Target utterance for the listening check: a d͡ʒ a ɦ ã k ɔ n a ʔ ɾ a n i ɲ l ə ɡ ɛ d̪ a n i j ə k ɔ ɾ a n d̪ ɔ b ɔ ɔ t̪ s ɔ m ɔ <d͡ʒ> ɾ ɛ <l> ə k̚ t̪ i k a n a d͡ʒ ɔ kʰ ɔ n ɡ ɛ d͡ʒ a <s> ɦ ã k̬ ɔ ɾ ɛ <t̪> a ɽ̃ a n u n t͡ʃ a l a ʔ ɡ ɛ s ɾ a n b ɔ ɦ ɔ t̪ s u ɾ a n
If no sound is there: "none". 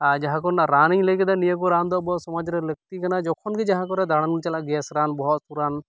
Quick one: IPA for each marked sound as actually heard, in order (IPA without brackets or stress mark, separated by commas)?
d͡ʒ, l, none, d̪